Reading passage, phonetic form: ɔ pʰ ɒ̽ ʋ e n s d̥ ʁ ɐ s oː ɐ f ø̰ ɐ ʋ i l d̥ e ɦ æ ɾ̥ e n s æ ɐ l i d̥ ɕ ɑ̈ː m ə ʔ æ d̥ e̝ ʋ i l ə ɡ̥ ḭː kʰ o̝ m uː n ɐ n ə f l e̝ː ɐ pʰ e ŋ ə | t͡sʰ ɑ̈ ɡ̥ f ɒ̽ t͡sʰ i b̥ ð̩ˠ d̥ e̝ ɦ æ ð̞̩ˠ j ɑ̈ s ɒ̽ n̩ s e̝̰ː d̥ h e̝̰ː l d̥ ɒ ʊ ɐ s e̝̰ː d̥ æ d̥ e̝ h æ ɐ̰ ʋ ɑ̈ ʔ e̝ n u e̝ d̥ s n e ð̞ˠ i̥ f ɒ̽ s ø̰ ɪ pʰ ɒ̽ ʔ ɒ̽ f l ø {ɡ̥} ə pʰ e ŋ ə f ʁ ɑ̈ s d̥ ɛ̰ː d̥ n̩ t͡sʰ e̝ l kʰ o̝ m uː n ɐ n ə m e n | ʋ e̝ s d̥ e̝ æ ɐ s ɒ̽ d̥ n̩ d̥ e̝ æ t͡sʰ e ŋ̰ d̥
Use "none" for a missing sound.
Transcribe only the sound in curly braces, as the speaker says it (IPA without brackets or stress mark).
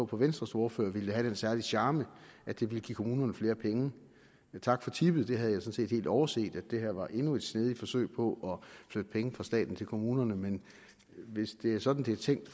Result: d̥